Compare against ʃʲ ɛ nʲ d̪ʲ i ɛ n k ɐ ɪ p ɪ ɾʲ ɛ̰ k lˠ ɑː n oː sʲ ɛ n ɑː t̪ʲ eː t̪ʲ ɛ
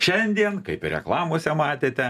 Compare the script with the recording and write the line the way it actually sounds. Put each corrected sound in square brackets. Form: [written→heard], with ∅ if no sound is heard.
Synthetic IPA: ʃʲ ɛ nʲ d̪ʲ i ɛ n k ɐ ɪ p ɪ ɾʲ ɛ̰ k lˠ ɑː [n→m] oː sʲ ɛ [n→m] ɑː t̪ʲ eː t̪ʲ ɛ